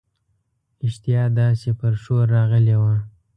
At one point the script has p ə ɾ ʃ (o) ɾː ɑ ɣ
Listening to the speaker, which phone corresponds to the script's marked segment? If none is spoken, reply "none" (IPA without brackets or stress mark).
o